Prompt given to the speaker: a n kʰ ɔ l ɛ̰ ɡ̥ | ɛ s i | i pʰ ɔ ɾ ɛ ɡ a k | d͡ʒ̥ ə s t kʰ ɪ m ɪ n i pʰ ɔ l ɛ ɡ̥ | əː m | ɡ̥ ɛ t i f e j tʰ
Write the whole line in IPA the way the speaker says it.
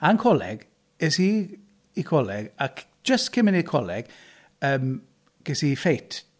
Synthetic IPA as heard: a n kʰ ɔ l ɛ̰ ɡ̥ | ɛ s i | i kʰ ɔ l ɛ ɡ a k | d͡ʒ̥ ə s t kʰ ɪ m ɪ n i kʰ ɔ l ɛ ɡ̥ | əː m | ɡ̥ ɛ s i f e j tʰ